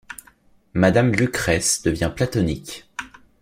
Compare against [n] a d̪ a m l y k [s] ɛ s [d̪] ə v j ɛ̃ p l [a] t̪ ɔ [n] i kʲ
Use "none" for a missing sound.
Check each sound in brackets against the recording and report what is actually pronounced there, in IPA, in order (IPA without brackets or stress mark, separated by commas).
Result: m, χ, d̪, a, n